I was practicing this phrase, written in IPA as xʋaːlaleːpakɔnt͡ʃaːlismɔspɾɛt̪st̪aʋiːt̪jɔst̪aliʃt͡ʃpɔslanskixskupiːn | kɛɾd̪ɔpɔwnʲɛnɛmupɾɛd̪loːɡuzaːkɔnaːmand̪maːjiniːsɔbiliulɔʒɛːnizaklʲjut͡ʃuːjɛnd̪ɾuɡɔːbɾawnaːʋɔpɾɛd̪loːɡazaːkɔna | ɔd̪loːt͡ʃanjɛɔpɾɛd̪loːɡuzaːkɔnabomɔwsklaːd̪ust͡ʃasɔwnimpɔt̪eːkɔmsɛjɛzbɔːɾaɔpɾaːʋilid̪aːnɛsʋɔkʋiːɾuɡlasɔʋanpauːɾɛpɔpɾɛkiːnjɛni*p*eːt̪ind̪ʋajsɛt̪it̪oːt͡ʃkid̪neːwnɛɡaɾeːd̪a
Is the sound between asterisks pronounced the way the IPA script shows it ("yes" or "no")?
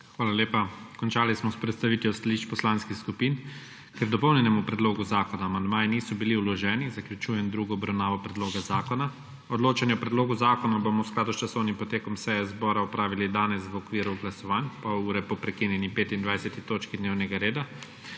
yes